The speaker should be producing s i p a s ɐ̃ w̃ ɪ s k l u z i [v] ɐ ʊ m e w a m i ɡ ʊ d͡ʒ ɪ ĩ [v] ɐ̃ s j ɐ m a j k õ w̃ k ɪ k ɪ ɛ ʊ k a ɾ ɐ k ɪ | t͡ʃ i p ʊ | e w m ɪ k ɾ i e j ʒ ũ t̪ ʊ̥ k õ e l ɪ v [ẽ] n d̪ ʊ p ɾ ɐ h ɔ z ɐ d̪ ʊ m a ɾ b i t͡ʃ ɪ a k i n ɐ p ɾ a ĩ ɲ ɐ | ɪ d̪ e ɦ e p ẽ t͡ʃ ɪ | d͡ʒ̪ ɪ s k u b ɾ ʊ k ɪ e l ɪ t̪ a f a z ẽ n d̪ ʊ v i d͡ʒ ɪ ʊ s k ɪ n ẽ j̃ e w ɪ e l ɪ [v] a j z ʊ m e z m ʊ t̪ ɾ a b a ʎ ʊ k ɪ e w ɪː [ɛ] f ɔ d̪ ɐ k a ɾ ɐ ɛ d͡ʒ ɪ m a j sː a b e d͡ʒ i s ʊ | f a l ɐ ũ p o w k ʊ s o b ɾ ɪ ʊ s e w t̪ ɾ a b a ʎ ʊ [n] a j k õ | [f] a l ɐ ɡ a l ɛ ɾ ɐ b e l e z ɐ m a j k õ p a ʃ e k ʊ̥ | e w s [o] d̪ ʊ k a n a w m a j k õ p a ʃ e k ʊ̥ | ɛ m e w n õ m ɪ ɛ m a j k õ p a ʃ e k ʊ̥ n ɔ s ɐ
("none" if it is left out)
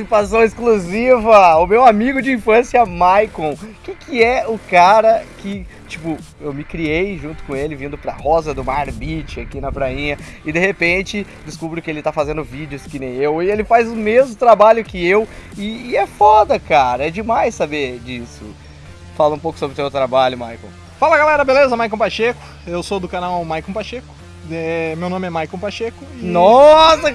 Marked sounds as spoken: v, f, ĩ, f, ɛ, m, f, o

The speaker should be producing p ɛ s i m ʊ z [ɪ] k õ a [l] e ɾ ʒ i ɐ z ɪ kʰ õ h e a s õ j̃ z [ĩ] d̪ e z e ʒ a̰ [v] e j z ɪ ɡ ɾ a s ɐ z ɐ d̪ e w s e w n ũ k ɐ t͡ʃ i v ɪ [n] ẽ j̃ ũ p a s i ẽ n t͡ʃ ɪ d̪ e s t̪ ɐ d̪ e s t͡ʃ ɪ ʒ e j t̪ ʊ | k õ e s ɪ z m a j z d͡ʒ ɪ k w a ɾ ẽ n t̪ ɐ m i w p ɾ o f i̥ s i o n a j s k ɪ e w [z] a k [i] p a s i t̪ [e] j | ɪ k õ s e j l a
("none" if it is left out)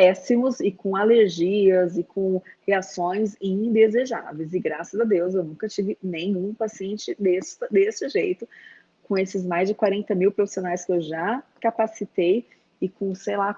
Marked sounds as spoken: ɪ, l, ĩ, v, n, ʒ, a, e

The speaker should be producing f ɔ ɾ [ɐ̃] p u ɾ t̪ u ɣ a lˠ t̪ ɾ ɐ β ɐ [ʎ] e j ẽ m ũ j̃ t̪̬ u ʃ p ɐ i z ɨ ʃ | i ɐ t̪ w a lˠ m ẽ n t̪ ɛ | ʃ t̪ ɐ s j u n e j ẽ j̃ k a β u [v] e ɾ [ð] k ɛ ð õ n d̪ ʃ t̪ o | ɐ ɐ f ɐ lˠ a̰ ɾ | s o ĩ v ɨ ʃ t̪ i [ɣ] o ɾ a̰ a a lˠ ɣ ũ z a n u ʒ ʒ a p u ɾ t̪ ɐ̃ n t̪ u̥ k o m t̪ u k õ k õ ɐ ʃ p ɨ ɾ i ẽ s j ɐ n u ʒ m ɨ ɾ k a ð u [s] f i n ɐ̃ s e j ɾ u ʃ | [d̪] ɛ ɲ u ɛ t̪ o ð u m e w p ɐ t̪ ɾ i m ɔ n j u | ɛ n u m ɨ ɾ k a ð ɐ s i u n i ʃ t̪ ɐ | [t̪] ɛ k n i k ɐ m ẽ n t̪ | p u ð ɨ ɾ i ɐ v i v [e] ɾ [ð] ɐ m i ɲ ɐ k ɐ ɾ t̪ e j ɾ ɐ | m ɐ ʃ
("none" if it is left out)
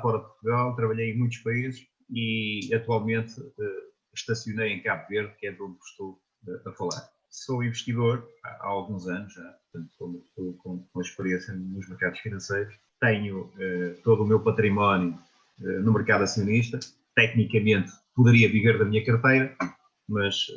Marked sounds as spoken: ɐ, ʎ, v, ð, ð, ʃ, t̪, t̪, e, ð

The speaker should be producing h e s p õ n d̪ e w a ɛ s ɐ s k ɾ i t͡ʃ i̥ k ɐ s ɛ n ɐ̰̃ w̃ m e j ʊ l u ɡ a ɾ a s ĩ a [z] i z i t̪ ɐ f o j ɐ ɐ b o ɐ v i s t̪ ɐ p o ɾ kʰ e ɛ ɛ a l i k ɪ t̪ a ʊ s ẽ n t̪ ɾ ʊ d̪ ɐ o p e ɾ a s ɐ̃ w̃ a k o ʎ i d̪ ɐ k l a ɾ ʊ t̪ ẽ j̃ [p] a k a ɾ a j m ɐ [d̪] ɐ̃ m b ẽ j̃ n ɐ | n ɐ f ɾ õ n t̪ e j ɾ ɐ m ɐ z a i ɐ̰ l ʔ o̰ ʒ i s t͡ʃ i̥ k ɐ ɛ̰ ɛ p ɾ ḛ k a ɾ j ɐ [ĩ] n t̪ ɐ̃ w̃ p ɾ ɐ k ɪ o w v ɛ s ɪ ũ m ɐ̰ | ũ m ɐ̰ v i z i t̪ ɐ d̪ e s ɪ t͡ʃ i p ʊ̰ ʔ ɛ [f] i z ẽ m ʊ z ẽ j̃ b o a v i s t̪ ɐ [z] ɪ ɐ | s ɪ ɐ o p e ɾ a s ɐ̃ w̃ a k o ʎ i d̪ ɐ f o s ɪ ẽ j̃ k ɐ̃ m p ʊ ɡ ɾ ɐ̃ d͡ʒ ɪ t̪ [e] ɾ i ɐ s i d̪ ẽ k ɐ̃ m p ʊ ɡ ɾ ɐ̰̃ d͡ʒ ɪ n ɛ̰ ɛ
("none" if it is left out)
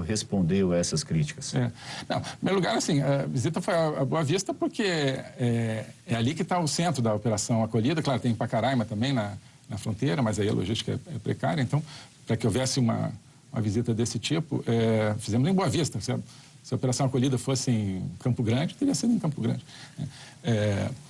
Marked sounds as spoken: v, p, t̪, ẽ, f, s, e

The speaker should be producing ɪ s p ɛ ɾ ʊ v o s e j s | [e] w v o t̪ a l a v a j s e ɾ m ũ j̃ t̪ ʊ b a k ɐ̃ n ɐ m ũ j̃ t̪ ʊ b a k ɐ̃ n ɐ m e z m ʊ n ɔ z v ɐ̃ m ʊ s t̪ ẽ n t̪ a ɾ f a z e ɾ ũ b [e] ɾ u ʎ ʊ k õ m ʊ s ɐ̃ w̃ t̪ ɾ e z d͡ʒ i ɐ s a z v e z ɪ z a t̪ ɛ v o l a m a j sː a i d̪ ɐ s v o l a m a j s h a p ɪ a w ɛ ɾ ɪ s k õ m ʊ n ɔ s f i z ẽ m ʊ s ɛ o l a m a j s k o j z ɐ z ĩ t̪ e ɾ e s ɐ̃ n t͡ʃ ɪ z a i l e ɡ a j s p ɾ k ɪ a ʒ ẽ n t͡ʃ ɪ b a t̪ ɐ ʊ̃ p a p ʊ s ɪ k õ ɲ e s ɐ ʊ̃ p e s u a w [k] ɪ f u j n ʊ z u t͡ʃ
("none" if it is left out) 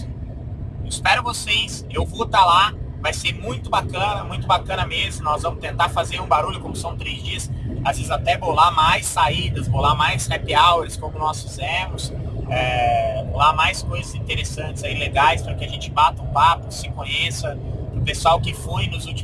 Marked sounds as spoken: e, a, k

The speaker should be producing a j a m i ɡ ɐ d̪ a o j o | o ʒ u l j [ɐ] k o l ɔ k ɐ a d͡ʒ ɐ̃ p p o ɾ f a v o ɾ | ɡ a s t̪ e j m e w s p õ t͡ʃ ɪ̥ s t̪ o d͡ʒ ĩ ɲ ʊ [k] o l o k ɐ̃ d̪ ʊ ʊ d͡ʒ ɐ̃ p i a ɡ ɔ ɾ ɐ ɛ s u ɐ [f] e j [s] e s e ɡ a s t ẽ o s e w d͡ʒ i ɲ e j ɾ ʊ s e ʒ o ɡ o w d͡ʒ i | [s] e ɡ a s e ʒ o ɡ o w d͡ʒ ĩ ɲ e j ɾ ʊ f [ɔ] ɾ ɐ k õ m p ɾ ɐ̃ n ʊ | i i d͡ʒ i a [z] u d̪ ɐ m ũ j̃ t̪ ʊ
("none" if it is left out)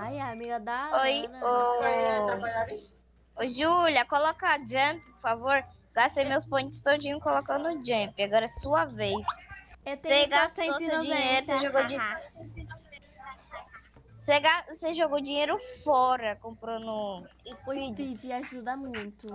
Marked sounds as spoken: ɐ, k, v, s, s, ɔ, ʒ

